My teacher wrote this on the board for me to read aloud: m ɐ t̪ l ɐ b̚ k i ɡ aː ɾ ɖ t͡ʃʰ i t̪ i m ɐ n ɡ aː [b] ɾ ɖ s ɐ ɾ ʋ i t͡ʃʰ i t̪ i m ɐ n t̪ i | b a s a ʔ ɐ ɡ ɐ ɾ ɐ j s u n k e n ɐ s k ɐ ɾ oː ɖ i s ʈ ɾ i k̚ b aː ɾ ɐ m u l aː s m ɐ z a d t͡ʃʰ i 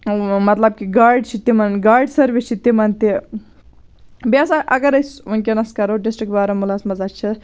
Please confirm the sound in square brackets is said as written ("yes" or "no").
no